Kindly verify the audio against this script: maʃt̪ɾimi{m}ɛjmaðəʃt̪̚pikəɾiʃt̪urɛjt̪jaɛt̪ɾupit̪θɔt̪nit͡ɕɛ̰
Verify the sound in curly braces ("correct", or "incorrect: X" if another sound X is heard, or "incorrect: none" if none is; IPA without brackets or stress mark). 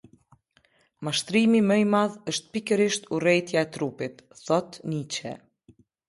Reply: correct